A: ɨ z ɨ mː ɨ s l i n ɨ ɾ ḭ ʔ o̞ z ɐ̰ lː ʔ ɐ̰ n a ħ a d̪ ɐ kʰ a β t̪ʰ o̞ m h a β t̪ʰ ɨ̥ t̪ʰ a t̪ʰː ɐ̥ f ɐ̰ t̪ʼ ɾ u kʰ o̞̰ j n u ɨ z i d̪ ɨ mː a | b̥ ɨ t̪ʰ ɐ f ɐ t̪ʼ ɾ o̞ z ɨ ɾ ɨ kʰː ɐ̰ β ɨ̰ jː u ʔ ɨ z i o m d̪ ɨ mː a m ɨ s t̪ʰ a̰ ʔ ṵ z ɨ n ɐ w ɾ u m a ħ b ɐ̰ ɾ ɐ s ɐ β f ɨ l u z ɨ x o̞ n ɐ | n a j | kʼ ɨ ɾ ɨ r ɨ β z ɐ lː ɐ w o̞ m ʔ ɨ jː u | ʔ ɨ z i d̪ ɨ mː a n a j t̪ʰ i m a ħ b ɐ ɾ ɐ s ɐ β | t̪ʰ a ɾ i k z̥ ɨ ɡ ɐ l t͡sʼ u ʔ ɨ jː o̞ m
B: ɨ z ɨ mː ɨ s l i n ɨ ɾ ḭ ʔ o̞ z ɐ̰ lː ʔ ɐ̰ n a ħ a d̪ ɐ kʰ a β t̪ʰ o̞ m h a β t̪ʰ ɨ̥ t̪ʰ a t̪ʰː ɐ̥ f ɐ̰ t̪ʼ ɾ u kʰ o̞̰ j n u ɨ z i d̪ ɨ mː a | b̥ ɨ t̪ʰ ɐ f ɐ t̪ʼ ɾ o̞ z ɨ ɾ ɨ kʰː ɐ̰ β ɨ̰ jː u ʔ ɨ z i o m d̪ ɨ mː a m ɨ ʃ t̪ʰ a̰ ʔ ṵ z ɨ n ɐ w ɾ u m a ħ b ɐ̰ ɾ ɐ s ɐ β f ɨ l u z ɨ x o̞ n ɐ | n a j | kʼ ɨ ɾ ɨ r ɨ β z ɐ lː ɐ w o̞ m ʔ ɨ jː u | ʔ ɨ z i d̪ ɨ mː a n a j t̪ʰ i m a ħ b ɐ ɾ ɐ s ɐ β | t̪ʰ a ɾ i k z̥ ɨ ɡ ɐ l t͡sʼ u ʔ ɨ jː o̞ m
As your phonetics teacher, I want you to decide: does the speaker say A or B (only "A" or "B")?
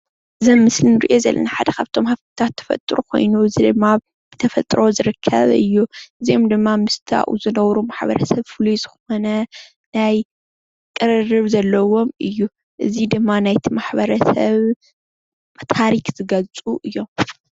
A